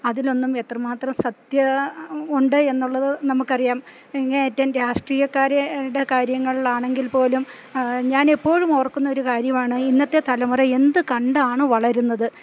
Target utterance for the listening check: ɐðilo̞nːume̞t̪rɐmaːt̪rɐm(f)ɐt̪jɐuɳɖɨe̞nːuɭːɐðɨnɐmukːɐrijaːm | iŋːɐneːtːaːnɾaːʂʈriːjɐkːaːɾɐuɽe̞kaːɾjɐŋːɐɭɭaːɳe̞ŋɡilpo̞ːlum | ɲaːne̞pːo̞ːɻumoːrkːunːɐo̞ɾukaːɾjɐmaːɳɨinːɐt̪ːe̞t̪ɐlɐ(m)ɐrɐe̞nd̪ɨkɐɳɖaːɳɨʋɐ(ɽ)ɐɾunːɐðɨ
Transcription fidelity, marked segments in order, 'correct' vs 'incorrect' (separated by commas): incorrect, correct, incorrect